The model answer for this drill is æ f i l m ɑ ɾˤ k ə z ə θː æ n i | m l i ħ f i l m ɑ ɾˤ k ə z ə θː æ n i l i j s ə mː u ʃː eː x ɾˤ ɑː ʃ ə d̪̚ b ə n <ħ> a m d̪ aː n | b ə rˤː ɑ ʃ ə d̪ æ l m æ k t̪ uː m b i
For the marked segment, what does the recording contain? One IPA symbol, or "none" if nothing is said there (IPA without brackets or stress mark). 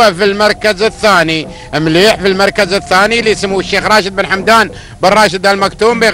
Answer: ħ